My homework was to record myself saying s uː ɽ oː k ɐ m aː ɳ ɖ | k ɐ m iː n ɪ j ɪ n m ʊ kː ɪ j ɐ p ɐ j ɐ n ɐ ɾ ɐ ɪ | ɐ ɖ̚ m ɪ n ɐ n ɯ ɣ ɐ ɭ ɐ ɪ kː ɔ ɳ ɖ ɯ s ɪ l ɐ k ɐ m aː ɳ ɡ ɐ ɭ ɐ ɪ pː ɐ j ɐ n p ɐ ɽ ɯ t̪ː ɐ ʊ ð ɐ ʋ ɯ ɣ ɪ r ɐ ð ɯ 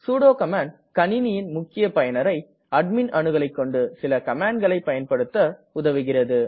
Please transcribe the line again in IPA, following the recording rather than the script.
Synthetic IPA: s uː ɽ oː k ɐ m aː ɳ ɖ | k ɐ n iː n ɪ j ɪ n m ʊ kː ɪ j ɐ p ɐ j ɐ n ɐ ɾ ɐ ɪ | ɐ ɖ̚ m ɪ n ɐ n ɯ ɣ ɐ ɭ ɐ ɪ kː ɔ ɳ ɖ ɯ s ɪ l ɐ k ɐ m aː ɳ ɡ ɐ ɭ ɐ ɪ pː ɐ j ɐ n p ɐ ɽ ɯ t̪ː ɐ ʊ ð ɐ ʋ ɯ ɣ ɪ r ɐ ð ɯ